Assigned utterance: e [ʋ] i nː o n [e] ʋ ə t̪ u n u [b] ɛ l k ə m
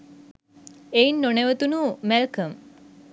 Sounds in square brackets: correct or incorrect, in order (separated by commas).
incorrect, correct, incorrect